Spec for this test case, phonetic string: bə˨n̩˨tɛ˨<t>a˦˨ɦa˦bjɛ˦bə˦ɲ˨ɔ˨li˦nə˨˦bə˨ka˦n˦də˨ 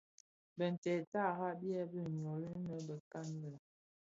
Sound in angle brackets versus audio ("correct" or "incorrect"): correct